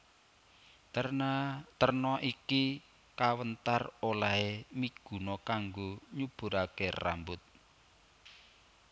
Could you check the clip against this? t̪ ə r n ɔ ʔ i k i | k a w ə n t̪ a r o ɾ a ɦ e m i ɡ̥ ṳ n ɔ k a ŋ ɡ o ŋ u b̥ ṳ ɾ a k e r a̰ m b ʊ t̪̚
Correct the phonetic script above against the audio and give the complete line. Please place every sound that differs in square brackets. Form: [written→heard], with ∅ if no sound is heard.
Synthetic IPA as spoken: t̪ ə r n ɔ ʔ i k i | k a w ə n t̪ a r o [ɾ→l] a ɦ e m i ɡ̥ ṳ n ɔ k a ŋ ɡ o [ŋ→ɲ] u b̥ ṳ ɾ a k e r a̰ m b ʊ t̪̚